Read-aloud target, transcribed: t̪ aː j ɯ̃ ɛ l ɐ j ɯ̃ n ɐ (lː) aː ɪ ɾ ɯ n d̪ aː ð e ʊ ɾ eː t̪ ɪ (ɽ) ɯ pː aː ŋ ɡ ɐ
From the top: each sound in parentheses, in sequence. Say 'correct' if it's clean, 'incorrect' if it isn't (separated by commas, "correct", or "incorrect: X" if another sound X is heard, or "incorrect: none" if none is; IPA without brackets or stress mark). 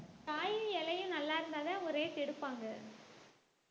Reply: correct, correct